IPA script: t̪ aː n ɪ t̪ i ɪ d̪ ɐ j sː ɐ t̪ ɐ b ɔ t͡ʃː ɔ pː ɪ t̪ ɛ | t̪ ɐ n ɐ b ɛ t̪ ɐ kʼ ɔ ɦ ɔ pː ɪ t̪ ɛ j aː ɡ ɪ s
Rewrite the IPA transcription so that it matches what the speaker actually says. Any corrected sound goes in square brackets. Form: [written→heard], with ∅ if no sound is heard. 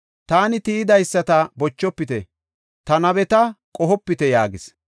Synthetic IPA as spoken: t̪ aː n ɪ t̪ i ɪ d̪ ɐ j sː ɐ t̪ ɐ b ɔ t͡ʃː ɔ pː ɪ t̪ ɛ | t̪ ɐ n ɐ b ɛ t̪ ɐ kʼ ɔ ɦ ɔ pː ɪ t̪ ɛ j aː ɡ ɪ s